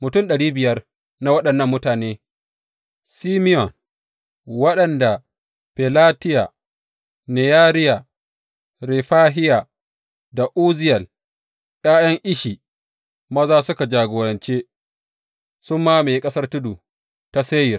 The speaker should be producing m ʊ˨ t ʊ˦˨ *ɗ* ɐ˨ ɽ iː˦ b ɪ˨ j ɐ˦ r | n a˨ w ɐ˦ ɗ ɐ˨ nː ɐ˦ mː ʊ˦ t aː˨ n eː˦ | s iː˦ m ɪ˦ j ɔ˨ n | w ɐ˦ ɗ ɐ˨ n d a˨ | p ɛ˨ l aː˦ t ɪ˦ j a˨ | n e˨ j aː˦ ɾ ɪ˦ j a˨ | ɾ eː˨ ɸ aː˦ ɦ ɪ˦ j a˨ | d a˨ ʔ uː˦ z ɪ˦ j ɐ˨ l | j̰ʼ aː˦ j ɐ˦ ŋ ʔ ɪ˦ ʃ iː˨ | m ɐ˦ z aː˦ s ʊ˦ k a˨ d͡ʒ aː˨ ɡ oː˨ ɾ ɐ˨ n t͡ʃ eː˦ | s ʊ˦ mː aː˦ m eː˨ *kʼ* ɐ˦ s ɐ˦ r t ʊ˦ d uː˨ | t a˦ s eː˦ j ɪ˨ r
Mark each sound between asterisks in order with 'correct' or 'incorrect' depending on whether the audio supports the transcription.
correct, correct

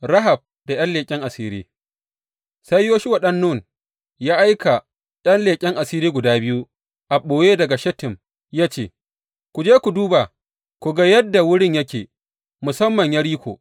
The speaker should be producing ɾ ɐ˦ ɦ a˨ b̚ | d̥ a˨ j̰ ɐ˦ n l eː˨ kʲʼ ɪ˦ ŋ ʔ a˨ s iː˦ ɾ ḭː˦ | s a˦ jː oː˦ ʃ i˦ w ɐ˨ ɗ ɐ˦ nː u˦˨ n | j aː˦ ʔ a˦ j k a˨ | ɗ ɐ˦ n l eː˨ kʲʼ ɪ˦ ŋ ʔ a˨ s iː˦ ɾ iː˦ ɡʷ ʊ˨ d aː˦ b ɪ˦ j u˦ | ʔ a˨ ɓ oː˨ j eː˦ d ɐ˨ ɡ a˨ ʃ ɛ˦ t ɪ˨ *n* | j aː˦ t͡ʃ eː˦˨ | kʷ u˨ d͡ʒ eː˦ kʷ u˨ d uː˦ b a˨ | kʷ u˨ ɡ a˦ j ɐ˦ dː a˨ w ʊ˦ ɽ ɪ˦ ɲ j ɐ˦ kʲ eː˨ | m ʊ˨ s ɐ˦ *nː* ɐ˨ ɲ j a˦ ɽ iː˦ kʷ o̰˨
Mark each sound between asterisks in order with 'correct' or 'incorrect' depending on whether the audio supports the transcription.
incorrect: m, incorrect: mː

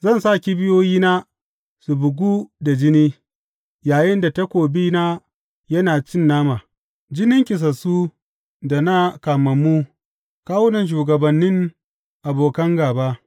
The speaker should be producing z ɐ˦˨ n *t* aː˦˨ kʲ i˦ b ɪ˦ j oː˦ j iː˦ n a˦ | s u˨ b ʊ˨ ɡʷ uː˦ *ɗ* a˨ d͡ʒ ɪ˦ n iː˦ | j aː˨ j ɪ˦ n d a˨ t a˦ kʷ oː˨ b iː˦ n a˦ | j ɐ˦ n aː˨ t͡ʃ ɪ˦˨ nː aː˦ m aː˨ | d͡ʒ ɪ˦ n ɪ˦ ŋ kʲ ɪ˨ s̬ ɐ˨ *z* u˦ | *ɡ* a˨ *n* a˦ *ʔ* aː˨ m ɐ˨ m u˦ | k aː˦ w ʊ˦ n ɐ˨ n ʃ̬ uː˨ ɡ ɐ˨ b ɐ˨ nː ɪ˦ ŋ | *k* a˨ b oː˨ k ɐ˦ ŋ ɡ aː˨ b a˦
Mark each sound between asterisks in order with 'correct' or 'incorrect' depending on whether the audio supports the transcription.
incorrect: s, incorrect: d, incorrect: s, incorrect: d, correct, incorrect: k, incorrect: ʔ

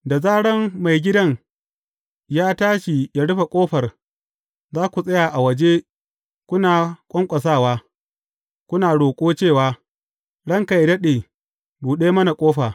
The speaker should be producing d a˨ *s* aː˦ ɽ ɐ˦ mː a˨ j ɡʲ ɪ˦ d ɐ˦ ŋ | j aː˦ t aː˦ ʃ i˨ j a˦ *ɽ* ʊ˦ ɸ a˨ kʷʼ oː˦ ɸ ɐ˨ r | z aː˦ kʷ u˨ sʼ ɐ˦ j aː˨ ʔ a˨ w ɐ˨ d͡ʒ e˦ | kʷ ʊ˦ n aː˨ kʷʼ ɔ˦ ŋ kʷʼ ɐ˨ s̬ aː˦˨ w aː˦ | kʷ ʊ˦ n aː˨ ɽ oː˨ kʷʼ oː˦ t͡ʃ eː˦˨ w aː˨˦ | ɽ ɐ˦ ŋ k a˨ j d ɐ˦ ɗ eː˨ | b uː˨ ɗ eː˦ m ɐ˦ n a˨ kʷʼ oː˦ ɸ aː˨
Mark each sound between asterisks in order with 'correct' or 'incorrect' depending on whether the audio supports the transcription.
incorrect: z, correct

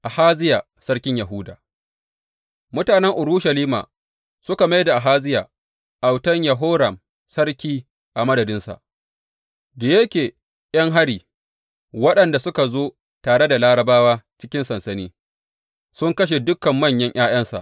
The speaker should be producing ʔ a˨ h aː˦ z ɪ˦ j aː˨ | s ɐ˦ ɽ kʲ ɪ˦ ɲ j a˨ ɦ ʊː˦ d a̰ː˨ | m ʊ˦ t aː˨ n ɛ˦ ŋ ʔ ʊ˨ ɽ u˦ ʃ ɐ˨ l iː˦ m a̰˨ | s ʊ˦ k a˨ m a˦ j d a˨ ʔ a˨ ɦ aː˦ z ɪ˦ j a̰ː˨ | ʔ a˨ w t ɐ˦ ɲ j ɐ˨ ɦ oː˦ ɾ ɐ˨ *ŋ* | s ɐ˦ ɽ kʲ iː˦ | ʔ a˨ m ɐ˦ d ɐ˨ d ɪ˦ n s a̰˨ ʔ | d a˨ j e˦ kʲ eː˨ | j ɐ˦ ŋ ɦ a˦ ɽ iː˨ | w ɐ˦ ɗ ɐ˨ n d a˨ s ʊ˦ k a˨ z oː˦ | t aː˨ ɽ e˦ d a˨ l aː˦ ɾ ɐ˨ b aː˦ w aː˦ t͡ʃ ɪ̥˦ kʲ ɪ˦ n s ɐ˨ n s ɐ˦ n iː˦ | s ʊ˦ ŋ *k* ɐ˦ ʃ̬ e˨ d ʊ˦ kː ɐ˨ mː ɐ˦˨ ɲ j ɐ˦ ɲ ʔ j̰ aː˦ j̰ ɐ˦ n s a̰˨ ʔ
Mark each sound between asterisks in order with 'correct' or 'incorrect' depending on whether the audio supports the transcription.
incorrect: m, correct

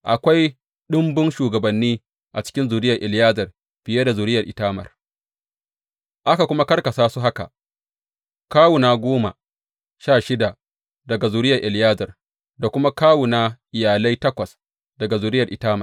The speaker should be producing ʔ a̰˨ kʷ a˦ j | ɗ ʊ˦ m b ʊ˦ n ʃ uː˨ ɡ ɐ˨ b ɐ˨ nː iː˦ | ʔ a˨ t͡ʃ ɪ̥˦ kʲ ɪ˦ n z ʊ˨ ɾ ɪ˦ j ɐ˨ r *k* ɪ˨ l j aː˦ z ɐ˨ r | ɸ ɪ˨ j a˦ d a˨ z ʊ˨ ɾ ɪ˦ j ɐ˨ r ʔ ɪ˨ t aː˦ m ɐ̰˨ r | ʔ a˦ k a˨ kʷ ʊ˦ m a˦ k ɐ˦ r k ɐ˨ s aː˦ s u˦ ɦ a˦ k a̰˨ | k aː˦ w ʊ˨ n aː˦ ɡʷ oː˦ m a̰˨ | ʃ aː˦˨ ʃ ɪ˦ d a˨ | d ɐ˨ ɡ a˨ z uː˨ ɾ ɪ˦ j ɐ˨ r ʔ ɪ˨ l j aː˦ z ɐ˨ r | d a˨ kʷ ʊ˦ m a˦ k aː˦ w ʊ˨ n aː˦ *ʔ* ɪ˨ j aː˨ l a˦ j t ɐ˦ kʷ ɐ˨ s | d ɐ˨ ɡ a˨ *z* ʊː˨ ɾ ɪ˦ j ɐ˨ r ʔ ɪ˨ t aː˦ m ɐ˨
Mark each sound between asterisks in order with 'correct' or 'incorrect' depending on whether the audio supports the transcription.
incorrect: ʔ, correct, correct

